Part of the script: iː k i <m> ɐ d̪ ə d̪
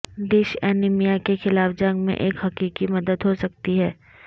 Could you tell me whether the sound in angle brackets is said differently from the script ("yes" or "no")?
no